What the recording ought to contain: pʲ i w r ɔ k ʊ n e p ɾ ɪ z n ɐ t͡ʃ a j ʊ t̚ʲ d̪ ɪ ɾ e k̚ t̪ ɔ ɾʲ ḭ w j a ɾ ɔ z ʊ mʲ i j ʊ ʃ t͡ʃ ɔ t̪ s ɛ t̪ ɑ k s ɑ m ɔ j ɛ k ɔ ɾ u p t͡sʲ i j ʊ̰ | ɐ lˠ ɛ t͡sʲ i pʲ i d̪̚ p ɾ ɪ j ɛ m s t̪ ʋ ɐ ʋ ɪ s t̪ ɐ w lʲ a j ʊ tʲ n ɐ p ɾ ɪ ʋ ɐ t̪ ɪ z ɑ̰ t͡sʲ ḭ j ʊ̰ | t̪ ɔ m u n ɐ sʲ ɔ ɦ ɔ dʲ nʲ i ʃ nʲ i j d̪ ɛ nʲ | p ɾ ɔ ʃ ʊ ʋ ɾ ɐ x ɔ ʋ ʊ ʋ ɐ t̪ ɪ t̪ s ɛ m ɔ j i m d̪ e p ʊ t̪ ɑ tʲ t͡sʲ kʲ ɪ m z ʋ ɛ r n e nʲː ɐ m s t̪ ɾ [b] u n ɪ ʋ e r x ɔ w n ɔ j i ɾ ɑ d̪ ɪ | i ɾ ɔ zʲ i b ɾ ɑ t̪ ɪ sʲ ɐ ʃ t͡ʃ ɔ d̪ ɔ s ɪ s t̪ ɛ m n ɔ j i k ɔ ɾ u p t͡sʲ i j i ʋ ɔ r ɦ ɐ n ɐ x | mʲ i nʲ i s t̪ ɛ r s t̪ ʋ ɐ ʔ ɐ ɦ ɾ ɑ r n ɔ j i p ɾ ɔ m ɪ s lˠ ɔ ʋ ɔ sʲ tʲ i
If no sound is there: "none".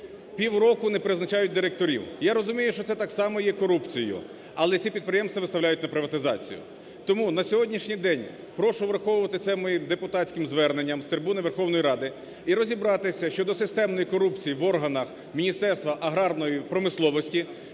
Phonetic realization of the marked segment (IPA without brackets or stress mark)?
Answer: b